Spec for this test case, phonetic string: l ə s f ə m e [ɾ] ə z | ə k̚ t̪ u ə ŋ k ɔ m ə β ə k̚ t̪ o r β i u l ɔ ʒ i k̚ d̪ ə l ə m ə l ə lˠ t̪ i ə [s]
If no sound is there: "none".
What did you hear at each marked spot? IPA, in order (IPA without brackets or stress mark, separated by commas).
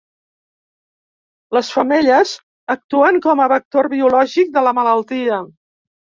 ʎ, none